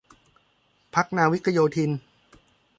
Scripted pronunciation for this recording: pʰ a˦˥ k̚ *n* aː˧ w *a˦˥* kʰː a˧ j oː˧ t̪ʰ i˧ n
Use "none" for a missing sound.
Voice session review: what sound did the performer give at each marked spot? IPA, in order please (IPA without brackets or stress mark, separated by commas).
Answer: n, i˦˥